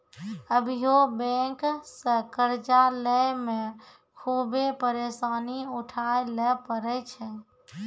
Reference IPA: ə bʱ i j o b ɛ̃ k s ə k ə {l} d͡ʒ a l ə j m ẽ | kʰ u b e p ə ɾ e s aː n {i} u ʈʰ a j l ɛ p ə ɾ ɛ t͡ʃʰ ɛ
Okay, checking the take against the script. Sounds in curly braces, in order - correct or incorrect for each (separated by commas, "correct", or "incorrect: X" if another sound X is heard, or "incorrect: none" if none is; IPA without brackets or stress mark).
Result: incorrect: ɾ, correct